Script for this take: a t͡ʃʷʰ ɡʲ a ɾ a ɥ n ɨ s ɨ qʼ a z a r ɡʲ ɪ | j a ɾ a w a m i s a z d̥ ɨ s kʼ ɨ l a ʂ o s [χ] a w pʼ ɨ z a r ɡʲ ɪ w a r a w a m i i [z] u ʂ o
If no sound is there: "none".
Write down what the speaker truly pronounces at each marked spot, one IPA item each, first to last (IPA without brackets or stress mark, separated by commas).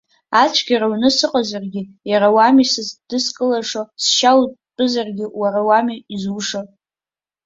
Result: ʃ, z